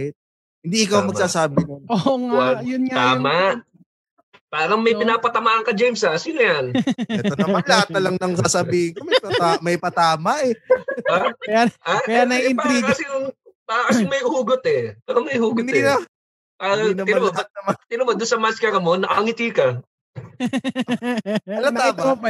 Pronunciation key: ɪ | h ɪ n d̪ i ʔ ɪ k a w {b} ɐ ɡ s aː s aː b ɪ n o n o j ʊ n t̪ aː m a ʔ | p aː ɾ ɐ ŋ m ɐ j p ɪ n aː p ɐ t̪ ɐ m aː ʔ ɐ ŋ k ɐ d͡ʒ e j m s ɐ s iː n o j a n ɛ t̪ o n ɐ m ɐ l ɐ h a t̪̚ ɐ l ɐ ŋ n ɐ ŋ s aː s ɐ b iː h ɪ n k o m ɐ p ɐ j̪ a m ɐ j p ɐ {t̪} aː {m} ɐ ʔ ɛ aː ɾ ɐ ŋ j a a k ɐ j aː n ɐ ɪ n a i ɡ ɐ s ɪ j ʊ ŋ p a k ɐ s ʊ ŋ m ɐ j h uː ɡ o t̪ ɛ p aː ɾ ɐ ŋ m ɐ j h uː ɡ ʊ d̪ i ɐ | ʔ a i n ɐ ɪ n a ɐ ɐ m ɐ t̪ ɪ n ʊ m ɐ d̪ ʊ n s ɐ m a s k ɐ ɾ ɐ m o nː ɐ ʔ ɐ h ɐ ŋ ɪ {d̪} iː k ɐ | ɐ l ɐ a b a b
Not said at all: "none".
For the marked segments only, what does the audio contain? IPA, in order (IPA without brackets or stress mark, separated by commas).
m, t̪, m, t̪